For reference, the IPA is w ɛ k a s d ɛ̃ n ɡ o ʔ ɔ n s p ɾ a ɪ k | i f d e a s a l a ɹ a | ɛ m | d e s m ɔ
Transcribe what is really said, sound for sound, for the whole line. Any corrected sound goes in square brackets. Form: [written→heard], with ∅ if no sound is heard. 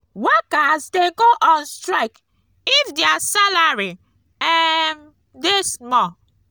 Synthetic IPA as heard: w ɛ k a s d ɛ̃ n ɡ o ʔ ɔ n s [p→t] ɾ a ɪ k | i f d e a s a l a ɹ [a→i] | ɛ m | d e s m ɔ